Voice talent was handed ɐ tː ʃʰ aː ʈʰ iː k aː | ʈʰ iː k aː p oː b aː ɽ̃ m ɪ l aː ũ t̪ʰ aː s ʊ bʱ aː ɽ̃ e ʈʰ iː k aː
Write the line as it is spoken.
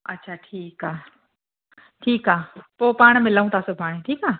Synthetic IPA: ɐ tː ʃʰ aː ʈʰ iː k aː | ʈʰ iː k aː p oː p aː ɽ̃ m ɪ l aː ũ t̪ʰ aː s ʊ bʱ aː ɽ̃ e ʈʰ iː k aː